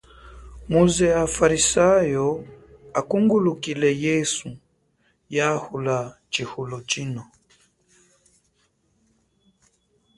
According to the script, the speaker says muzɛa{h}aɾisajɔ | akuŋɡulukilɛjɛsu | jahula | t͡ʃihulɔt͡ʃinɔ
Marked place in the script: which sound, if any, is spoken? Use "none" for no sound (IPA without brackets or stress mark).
f